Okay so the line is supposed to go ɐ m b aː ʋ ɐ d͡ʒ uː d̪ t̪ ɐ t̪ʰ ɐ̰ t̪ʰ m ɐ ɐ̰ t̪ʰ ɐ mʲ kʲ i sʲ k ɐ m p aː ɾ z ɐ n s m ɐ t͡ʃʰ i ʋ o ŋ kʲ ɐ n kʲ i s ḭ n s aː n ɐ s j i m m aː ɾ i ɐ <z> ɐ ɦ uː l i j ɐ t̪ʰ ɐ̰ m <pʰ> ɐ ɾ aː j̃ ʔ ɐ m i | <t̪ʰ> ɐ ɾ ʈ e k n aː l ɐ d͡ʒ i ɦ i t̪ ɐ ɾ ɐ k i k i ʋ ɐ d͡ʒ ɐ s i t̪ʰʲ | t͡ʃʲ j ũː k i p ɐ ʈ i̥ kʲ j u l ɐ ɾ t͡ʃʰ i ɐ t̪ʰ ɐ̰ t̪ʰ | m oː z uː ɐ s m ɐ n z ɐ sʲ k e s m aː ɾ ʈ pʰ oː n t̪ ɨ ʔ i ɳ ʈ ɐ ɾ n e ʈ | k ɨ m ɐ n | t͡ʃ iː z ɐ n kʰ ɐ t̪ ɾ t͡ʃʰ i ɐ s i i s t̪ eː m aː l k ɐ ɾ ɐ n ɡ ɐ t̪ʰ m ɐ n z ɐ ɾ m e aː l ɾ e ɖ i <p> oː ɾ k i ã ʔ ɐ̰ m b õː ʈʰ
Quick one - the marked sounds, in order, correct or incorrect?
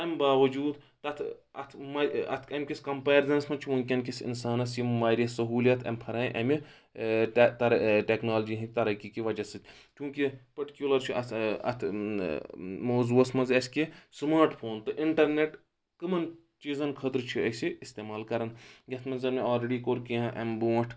incorrect, correct, incorrect, incorrect

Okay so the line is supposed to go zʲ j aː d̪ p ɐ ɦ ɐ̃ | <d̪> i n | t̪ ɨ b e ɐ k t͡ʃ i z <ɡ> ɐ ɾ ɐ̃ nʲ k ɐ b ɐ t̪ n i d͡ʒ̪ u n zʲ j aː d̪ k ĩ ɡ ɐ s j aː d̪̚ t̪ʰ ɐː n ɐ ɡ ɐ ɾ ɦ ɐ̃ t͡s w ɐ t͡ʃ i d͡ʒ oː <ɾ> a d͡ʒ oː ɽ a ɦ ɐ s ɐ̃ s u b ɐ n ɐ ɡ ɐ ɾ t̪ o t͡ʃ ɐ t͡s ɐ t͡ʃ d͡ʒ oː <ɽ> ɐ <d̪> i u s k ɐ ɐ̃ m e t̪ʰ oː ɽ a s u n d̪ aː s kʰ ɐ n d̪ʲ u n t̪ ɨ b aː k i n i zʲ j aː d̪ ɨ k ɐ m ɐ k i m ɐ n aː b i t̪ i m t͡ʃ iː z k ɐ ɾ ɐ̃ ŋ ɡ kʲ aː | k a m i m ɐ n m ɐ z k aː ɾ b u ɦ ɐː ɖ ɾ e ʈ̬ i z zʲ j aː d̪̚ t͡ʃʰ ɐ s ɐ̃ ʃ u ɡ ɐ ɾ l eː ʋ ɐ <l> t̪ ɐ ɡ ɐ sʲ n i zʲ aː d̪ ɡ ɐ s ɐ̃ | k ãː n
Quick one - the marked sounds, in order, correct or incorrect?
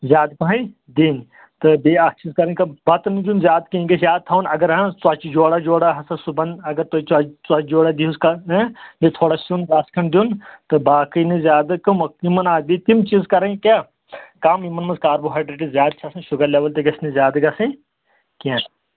correct, incorrect, incorrect, correct, correct, correct

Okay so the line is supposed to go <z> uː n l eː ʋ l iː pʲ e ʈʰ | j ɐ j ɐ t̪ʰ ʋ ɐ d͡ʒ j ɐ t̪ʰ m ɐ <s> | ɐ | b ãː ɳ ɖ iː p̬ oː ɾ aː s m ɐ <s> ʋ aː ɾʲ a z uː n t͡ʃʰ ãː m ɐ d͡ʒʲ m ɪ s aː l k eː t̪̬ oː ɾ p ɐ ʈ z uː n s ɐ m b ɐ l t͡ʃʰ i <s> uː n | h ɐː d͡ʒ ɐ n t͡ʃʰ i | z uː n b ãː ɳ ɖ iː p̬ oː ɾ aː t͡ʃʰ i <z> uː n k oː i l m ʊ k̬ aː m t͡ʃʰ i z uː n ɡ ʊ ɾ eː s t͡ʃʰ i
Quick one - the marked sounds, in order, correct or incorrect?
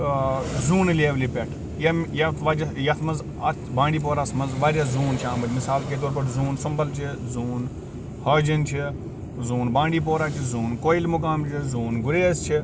correct, incorrect, incorrect, incorrect, correct

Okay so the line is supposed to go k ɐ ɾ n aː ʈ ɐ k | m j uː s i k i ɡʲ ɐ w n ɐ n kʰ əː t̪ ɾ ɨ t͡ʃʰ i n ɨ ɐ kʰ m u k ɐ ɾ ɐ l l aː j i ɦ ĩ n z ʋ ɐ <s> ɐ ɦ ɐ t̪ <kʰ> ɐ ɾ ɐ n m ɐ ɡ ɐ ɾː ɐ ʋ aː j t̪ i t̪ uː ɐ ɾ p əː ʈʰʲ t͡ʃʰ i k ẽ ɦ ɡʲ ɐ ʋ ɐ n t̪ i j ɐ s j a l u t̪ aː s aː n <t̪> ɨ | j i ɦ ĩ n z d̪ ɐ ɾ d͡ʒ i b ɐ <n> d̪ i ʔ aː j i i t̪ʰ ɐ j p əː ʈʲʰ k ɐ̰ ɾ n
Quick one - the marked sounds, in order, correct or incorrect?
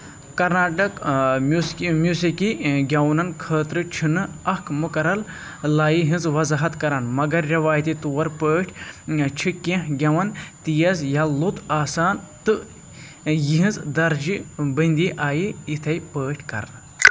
incorrect, incorrect, correct, correct

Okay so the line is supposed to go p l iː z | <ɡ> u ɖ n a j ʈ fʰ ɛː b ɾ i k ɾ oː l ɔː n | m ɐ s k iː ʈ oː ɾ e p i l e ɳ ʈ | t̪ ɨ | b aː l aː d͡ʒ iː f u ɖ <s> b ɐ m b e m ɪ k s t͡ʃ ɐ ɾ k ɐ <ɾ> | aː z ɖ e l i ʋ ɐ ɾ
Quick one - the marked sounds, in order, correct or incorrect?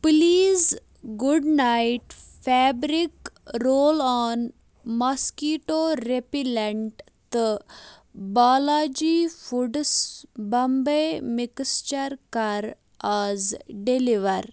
correct, correct, correct

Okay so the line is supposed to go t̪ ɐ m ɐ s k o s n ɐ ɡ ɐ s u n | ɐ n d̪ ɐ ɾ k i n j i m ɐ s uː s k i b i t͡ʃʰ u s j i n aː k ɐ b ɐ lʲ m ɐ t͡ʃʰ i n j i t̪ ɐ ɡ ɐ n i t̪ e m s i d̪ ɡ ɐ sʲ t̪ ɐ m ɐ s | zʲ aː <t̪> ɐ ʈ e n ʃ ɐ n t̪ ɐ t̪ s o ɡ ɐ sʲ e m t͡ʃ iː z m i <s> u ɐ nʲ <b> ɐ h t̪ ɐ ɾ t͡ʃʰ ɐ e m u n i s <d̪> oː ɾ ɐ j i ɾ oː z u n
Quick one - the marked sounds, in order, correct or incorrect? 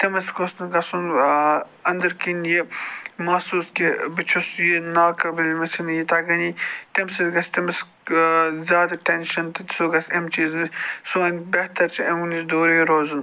incorrect, correct, correct, correct

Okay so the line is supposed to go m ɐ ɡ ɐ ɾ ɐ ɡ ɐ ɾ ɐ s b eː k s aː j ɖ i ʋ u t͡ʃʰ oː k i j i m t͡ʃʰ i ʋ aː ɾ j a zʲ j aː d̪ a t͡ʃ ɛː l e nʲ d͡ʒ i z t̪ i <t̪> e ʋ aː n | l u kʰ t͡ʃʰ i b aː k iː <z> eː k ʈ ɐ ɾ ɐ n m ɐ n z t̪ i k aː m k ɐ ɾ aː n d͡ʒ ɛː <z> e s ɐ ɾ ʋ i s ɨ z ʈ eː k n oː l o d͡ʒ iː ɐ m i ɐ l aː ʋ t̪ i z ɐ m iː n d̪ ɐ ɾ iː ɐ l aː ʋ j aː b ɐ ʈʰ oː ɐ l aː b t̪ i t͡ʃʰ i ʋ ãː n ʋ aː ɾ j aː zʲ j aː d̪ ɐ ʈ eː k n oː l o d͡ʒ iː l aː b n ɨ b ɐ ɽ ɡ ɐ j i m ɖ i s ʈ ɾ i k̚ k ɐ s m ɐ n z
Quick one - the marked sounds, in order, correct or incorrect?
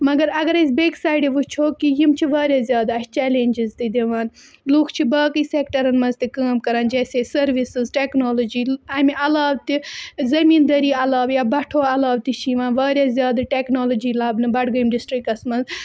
incorrect, incorrect, incorrect

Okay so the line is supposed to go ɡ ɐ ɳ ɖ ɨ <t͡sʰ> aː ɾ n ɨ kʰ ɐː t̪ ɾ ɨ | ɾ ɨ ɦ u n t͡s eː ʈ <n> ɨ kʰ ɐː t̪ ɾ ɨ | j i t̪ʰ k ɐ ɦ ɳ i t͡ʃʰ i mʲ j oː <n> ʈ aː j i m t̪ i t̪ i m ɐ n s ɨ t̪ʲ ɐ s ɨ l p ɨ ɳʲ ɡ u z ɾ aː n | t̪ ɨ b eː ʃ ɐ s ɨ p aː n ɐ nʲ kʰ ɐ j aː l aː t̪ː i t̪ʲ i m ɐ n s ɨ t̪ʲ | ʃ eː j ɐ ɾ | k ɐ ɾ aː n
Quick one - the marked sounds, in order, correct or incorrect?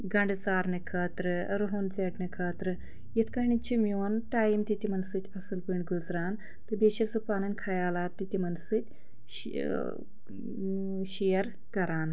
incorrect, correct, correct

